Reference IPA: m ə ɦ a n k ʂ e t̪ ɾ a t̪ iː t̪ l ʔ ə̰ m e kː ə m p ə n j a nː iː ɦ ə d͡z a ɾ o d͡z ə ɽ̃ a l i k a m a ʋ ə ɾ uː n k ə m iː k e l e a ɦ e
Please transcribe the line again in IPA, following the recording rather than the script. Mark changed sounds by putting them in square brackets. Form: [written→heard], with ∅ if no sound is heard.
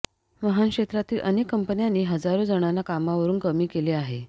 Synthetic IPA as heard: m ə ɦ a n k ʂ e t̪ ɾ a t̪ iː [t̪→∅] l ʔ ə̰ [m→n] e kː ə m p ə n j a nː iː ɦ ə d͡z a ɾ o d͡z ə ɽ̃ a l [i→a] k a m a ʋ ə ɾ uː n k ə m iː k e l e a ɦ e